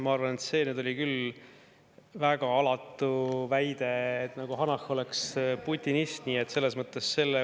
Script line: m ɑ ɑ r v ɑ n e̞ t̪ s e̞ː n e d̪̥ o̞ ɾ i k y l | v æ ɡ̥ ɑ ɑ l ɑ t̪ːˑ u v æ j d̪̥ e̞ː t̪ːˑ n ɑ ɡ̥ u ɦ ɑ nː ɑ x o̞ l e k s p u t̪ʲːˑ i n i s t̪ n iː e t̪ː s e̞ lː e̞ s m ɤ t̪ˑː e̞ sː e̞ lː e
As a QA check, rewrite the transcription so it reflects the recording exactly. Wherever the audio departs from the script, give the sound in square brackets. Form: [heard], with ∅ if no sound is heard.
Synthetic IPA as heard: m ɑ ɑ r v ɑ n e̞ t̪ s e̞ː n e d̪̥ o̞ [l] i k y l | v æ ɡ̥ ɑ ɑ l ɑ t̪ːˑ u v æ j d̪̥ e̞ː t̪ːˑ n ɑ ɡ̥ u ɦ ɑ [n] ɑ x o̞ l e k s p u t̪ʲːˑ i n i s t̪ n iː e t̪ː s e̞ lː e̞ s m ɤ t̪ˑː e̞ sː e̞ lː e